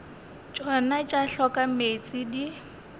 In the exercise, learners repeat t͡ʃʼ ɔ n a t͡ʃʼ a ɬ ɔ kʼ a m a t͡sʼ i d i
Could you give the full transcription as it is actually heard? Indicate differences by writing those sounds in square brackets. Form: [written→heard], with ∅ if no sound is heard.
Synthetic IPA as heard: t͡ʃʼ ɔ n a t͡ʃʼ a ɬ ɔ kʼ a m [a→e] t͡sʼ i d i